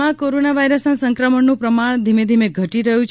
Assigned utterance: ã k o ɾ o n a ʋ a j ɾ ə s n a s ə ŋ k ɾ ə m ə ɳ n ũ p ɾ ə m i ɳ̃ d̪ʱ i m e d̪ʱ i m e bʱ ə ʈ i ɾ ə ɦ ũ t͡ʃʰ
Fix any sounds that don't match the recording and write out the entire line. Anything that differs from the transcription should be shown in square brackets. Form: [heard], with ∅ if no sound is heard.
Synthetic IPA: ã k o ɾ o n a ʋ a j ɾ ə s n a s ə ŋ k ɾ ə m ə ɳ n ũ p ɾ ə m [a] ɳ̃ d̪ʱ i m e d̪ʱ i m e [ɡʱ] ə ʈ i ɾ ə ɦ ũ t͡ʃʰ